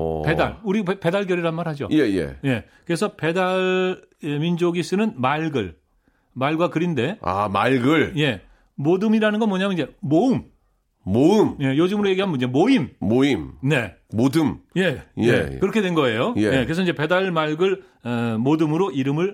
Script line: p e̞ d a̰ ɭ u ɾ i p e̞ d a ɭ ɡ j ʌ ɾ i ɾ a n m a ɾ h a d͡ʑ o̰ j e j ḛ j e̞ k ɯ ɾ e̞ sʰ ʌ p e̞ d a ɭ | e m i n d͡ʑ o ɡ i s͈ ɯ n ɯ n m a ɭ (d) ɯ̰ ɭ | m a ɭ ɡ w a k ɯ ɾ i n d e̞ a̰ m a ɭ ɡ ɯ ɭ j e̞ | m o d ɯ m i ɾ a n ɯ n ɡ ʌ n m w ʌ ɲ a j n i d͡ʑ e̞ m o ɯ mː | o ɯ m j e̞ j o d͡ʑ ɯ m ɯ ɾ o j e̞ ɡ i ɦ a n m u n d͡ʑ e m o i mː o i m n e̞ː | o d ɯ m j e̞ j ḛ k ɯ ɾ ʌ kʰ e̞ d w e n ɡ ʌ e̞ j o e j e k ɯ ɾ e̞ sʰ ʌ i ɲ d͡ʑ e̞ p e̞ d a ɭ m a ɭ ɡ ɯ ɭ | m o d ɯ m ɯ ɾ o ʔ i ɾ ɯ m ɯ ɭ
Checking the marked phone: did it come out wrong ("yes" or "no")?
yes